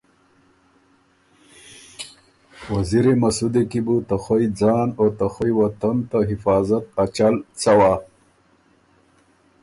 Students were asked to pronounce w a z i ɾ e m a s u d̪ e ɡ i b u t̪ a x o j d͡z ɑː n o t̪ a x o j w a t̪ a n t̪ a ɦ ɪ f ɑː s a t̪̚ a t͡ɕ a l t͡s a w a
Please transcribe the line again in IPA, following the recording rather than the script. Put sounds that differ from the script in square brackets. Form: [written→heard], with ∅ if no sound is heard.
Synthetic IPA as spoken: w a z i ɾ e m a s u d̪ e [ɡ→k] i b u t̪ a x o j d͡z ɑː n o t̪ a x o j w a t̪ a n t̪ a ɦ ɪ f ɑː [s→z] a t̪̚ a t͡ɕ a l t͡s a w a